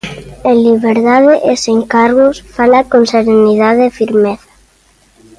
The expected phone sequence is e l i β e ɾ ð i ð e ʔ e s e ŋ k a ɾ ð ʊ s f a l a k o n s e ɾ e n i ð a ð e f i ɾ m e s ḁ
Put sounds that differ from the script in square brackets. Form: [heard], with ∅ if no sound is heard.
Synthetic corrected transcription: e l i β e ɾ ð [a] ð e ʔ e s e ŋ k a ɾ [ɣ] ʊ s f a l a k o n s e ɾ e n i ð a ð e f i ɾ m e [θ] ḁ

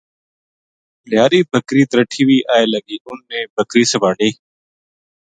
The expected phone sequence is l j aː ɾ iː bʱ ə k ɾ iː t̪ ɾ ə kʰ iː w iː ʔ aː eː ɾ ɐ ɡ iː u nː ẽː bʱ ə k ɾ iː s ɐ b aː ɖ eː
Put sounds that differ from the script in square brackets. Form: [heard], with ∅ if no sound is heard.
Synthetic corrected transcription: l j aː ɾ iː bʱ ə k ɾ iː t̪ ɾ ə [ʈʰ] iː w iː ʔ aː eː [l] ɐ ɡ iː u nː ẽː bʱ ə k ɾ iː s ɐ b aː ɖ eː

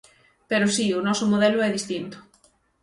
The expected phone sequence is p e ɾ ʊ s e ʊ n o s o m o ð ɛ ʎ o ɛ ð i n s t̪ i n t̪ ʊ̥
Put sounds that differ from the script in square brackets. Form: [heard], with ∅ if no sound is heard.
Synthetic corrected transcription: p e ɾ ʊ s [i] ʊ n [ɔ] s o m o ð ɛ [l] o ɛ ð i [∅] s t̪ i n t̪ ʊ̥

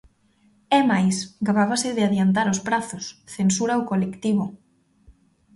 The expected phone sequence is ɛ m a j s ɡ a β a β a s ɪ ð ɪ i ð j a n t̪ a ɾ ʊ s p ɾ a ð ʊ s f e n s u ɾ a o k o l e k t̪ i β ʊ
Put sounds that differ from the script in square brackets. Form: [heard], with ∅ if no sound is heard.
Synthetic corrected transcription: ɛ m a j s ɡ a β a β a s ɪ ð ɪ [a] ð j a n t̪ a ɾ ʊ s p ɾ a [θ] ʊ s [θ] e n s u ɾ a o k o l e k t̪ i β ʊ

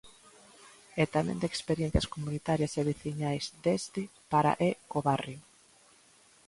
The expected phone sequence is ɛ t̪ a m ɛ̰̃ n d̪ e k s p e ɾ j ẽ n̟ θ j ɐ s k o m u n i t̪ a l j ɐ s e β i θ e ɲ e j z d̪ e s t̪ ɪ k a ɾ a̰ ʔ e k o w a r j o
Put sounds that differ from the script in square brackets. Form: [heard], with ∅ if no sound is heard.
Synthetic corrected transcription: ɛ t̪ a m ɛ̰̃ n d̪ e k s p e ɾ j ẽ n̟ θ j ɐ s k o m u n i t̪ a [ɾ] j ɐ s e β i θ [i] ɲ [a] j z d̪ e s t̪ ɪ [p] a ɾ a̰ ʔ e k o [β] a r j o

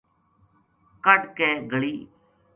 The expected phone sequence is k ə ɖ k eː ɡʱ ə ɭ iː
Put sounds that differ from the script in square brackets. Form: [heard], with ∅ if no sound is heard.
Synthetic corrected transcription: k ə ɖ k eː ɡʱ ə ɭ iː

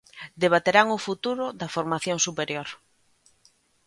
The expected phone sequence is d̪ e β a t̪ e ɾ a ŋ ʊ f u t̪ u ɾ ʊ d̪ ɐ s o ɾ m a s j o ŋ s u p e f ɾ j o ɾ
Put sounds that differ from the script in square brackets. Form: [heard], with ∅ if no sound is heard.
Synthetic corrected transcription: d̪ e β a t̪ e ɾ a ŋ ʊ f u t̪ u ɾ ʊ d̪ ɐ [f] o ɾ m a [θ] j o ŋ s u p e [∅] ɾ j o ɾ

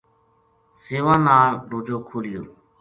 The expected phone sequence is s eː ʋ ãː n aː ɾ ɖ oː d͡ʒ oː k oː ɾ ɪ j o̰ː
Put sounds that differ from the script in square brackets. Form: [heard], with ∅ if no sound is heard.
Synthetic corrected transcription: s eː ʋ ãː n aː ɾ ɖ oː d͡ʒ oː [kʰ] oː [l] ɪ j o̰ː

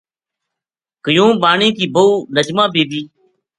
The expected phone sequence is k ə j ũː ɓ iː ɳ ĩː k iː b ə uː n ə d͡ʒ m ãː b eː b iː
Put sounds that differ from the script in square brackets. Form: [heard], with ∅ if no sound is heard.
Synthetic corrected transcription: k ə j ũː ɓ [aː] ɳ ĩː k iː b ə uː n ə d͡ʒ m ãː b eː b iː

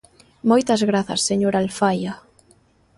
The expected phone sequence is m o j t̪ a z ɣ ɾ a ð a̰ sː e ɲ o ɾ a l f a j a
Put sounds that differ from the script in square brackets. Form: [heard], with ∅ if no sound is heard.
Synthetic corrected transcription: m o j t̪ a z ɣ ɾ a [θ] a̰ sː e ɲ o ɾ a l f a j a

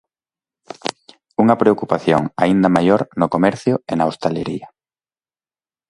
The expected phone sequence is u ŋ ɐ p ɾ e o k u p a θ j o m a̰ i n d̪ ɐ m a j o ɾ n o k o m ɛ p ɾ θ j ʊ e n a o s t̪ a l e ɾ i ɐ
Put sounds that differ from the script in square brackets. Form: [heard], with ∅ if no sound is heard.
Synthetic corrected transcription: u ŋ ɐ p ɾ e o k u p a θ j o [ŋ] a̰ i n d̪ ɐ m a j o ɾ n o k o m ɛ [∅] ɾ θ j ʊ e n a o s t̪ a l e ɾ i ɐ

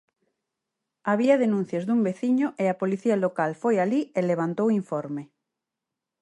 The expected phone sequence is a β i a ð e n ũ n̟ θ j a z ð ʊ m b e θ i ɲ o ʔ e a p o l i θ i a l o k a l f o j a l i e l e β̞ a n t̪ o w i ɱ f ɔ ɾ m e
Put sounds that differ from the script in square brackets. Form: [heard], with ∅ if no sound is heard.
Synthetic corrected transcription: a β i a ð e n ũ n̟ θ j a z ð [u] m b e θ i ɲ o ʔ e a p o l i θ i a l o k a l f o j a l i e l e β̞ a n t̪ o w i ɱ f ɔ ɾ m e

